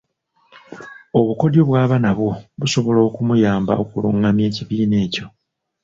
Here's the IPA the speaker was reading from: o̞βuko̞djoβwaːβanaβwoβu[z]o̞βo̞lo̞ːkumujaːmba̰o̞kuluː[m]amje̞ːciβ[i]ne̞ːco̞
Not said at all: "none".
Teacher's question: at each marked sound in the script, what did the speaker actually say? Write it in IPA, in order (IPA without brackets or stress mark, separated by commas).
s, ŋ, iː